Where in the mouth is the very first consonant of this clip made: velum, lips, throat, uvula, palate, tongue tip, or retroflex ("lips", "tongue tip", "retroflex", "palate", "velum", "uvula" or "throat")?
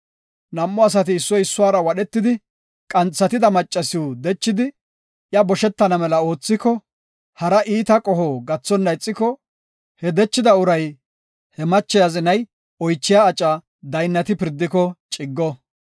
tongue tip